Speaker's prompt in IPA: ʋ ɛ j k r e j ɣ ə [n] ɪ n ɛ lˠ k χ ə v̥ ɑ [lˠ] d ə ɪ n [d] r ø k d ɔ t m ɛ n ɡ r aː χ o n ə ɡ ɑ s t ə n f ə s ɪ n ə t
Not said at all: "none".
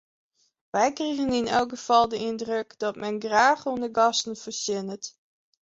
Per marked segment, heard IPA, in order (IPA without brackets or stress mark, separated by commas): n, lˠ, d